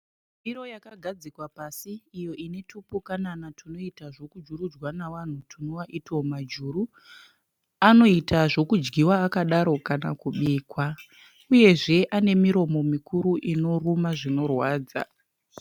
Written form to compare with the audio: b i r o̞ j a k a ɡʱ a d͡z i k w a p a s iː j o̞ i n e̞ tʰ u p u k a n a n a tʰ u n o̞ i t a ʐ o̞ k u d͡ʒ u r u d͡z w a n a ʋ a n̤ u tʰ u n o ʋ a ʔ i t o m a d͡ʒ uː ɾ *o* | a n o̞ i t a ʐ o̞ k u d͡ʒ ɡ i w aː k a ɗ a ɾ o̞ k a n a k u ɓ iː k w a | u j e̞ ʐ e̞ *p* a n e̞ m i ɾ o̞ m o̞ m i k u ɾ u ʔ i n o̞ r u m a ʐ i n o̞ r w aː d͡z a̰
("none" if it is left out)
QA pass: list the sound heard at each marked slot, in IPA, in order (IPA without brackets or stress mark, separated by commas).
u, ʔ